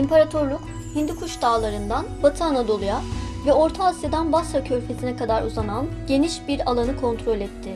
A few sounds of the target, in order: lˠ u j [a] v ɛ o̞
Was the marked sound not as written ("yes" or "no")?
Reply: no